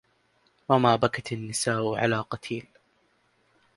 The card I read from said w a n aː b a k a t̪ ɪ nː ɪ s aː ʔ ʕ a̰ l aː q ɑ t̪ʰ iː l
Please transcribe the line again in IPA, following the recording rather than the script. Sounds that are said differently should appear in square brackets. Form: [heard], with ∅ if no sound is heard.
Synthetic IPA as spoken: w a [m] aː b a k a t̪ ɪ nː ɪ s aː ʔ ʕ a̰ l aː q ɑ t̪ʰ iː l